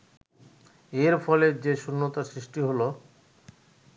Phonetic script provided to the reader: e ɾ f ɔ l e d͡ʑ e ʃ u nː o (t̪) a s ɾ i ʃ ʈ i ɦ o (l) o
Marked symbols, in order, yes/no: yes, yes

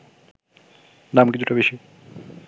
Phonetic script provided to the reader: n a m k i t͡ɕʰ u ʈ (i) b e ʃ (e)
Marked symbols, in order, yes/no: no, no

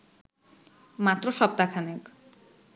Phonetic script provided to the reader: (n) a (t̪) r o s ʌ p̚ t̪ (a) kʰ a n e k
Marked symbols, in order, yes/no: no, yes, yes

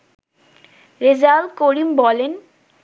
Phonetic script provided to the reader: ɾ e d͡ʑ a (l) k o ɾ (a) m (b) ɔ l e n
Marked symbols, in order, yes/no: yes, no, yes

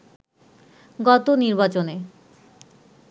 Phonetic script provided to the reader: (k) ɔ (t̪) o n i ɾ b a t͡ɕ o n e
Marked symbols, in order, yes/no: no, yes

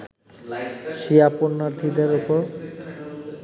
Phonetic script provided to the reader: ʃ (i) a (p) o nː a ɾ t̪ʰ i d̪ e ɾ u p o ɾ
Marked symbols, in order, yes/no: yes, yes

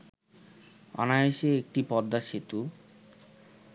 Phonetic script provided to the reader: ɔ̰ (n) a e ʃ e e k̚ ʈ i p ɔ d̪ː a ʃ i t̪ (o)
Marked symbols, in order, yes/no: yes, no

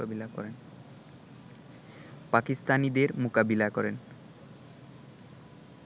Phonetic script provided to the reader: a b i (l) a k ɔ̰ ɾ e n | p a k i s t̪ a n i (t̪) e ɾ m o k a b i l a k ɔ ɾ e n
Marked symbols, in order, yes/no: yes, no

